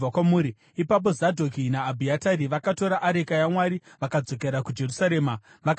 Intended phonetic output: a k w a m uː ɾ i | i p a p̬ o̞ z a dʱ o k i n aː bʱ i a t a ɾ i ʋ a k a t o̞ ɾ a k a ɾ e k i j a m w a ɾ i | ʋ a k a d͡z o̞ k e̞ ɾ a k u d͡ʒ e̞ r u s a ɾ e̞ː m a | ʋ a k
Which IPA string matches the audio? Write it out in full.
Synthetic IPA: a k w a m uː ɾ i | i p a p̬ o̞ z a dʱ o k i n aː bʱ i a t a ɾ i ʋ a k a t o̞ ɾ a ʔ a ɾ e k a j a m w a ɾ i | ʋ a k a d͡z o̞ k e̞ ɾ a k u d͡ʒ e̞ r u s a ɾ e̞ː m a | ʋ a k